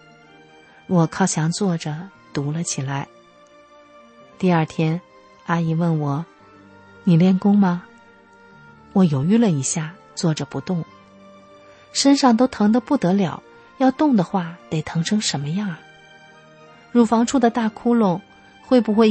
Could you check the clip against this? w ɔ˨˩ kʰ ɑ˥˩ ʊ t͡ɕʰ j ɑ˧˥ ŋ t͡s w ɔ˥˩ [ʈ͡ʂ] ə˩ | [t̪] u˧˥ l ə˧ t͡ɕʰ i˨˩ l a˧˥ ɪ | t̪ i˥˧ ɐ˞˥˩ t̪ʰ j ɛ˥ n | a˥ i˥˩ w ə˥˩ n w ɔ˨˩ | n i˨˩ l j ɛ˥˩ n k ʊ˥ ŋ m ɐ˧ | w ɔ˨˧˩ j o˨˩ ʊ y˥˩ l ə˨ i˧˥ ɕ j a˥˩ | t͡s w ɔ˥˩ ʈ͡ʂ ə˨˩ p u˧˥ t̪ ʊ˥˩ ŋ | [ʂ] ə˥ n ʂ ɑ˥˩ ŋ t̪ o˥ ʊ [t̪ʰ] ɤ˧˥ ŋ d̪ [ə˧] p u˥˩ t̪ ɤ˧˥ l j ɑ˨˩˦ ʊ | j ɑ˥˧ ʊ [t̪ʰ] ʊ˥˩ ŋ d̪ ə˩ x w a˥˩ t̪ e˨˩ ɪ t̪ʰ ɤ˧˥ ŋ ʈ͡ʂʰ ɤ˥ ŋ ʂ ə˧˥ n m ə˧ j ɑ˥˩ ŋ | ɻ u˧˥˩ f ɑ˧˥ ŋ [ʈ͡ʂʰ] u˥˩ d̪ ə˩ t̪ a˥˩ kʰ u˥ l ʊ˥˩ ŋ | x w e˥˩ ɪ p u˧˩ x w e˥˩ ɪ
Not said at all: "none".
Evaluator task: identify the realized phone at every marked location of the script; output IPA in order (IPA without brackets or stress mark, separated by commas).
ʈ͡ʂ, t̪, ʂ, t̪ʰ, ə˧, t̪, ʈ͡ʂʰ